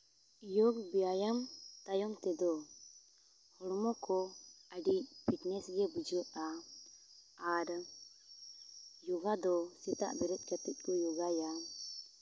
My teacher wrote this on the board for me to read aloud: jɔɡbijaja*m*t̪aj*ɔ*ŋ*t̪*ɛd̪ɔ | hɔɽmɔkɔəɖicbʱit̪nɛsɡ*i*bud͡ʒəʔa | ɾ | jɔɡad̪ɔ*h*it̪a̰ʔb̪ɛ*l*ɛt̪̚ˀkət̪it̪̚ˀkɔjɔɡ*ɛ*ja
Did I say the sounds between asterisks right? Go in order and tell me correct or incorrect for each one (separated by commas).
correct, correct, correct, incorrect, incorrect, incorrect, incorrect